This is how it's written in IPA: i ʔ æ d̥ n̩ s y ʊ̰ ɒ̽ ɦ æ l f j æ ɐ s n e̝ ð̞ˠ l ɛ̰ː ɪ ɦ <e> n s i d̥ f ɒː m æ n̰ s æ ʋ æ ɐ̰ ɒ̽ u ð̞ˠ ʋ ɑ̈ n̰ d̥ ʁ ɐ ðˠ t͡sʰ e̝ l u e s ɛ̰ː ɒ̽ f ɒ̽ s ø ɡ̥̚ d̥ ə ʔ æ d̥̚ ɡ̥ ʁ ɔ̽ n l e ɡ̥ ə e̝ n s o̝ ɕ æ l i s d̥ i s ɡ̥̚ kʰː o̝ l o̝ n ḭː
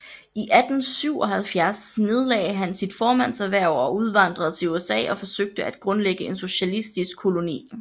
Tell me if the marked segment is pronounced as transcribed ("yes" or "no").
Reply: no